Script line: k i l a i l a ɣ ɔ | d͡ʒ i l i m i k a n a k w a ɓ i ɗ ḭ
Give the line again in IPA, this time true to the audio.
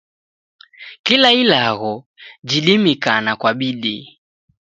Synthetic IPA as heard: k i l a i l a ɣ ɔ | d͡ʒ i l i m i k a n a k w a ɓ i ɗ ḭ